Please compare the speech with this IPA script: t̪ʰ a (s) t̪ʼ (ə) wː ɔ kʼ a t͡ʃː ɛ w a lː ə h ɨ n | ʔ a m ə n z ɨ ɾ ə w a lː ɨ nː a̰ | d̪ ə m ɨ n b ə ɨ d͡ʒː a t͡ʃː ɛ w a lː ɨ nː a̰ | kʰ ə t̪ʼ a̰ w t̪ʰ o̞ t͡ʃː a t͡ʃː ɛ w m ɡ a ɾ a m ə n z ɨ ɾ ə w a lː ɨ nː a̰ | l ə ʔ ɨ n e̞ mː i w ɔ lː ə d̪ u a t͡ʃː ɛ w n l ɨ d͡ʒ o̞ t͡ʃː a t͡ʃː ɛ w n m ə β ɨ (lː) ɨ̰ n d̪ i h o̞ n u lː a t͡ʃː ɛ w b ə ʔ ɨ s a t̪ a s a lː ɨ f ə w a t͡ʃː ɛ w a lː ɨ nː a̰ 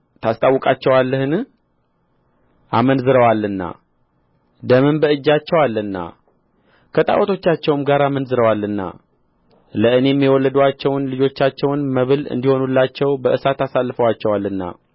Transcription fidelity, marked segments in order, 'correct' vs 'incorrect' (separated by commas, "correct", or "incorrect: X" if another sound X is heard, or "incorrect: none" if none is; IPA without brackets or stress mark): correct, incorrect: a, incorrect: l